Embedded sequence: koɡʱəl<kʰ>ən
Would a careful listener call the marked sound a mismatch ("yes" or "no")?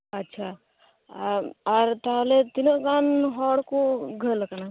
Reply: yes